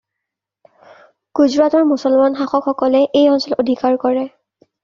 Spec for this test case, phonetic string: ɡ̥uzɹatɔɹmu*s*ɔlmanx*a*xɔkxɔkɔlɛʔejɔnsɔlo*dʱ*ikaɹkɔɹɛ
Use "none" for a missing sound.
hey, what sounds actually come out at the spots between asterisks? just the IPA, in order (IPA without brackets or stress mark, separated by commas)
s, a, dʱ